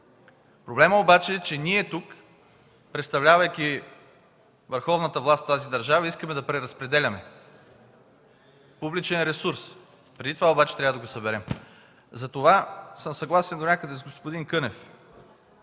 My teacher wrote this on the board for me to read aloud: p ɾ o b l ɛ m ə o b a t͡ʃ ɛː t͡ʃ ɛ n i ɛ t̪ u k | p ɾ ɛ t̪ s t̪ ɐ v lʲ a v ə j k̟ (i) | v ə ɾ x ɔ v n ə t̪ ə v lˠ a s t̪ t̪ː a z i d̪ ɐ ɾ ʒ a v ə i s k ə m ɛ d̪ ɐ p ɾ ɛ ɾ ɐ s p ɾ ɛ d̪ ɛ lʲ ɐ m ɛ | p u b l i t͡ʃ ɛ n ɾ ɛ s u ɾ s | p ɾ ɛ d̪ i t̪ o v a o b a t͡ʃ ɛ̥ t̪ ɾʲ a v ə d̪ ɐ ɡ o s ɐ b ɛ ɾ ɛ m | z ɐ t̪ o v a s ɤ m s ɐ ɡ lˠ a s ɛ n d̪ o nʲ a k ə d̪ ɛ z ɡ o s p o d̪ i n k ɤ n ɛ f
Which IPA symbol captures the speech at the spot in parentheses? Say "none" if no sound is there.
i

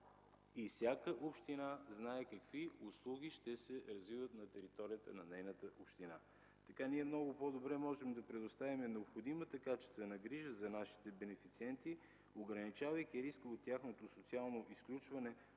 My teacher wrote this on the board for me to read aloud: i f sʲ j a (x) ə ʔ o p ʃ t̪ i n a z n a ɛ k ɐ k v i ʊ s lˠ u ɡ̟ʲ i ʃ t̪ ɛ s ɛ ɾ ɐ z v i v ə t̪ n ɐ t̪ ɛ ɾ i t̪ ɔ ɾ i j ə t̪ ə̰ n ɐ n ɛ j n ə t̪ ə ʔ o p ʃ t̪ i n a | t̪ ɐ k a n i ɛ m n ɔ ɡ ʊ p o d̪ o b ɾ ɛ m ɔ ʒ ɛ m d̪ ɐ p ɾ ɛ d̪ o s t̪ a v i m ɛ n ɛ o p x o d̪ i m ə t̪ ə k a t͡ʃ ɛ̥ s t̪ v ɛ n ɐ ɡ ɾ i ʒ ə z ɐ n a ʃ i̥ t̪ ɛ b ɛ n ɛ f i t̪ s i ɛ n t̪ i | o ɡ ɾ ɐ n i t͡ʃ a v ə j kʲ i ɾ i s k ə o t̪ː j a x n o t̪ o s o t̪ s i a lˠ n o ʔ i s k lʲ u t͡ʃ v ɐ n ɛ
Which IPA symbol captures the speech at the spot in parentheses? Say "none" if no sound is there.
k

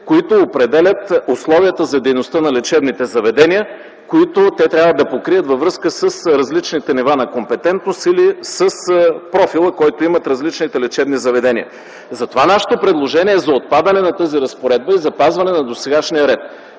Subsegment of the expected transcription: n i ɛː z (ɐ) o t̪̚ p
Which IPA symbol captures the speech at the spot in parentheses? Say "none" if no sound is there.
ɐ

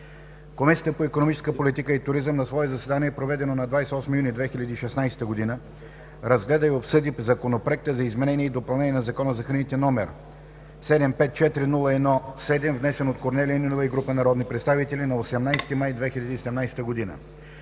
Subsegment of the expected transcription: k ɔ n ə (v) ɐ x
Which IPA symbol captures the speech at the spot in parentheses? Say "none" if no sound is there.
z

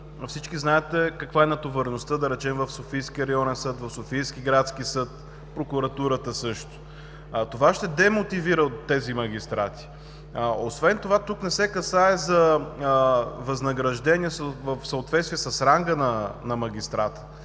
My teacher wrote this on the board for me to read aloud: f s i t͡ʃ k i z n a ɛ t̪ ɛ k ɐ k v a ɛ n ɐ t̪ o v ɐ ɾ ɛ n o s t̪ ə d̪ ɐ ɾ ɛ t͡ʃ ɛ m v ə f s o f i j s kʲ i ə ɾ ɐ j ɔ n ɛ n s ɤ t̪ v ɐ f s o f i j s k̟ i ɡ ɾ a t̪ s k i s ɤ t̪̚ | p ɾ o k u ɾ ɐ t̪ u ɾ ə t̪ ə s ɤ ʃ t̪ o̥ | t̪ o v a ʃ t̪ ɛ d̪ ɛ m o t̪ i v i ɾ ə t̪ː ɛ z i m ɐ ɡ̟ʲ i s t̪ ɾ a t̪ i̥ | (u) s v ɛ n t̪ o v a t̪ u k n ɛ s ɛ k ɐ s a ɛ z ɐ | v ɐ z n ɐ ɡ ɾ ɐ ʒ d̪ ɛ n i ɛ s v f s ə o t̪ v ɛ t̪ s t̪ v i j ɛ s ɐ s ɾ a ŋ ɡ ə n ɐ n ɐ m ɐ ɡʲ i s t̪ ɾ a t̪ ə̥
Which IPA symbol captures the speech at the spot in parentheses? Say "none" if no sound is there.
o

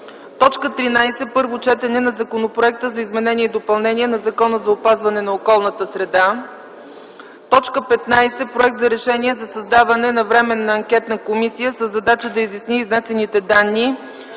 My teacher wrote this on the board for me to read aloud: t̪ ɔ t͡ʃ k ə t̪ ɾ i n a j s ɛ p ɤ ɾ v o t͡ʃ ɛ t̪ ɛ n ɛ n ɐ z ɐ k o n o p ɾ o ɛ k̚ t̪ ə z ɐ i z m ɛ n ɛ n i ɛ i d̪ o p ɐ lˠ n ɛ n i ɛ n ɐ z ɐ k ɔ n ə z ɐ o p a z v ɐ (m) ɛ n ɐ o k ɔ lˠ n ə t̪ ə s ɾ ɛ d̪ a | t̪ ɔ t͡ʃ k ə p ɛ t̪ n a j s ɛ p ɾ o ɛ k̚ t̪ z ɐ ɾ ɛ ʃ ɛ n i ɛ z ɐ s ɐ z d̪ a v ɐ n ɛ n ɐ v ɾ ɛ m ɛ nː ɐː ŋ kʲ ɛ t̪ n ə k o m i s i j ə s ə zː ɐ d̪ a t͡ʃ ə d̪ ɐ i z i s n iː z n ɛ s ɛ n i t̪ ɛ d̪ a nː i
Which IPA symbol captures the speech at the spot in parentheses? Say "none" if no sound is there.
n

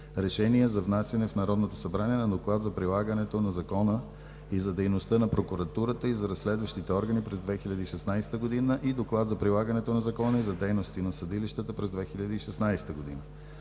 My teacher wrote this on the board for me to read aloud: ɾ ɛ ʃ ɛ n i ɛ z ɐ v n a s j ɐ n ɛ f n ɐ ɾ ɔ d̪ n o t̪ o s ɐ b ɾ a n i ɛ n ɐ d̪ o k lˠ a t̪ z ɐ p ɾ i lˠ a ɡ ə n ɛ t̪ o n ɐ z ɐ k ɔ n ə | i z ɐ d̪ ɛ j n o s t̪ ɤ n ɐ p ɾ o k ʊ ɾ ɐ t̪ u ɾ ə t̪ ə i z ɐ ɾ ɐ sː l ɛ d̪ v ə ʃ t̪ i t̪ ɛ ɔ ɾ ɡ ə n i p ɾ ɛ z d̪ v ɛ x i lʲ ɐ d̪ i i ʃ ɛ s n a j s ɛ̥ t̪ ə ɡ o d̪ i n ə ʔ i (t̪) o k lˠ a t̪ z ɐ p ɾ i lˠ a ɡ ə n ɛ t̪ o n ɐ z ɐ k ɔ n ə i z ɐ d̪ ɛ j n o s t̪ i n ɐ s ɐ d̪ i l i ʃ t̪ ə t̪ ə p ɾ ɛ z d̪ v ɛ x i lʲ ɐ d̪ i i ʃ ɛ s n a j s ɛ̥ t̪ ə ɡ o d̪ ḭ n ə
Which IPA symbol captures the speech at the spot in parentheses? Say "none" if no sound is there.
d̪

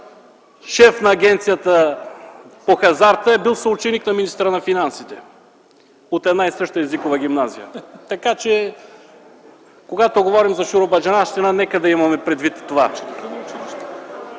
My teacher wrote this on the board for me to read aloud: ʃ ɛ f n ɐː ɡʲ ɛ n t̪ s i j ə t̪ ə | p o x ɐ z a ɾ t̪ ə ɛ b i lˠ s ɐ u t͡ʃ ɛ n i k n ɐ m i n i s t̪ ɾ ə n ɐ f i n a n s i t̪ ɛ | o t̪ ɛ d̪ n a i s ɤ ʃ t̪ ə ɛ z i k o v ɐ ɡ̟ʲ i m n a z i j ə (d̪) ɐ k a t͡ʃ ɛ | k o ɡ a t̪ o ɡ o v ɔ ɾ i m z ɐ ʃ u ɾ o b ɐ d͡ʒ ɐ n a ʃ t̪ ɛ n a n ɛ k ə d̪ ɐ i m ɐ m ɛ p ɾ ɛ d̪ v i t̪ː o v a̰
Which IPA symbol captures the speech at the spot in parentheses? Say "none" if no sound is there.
t̪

